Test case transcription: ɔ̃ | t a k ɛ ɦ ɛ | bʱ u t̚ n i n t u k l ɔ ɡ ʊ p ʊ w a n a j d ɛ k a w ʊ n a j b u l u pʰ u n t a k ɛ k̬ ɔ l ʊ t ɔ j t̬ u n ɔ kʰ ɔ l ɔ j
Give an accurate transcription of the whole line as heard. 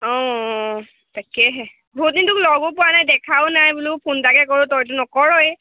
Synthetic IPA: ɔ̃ | t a k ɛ ɦ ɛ | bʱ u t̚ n i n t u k l ɔ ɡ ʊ p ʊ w a n a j d ɛ kʰ a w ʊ n a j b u l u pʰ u n t a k ɛ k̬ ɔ ɹ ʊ t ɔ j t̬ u n ɔ k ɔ ɹ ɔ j